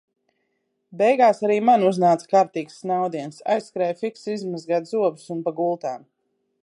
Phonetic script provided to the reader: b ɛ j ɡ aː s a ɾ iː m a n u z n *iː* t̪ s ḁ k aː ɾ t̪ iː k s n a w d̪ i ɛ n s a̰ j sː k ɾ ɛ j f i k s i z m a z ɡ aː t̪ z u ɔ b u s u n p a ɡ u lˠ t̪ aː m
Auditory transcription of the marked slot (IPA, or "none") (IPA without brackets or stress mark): aː